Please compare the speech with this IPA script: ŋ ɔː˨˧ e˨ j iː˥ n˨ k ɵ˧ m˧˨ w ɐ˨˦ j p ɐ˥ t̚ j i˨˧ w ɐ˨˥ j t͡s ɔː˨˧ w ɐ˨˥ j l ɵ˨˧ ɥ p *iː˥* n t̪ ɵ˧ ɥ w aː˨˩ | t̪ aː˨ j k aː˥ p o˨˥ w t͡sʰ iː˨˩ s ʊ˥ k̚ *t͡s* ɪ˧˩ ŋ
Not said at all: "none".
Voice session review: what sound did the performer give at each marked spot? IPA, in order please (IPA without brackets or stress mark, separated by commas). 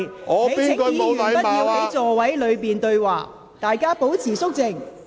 iː˨˩, t͡s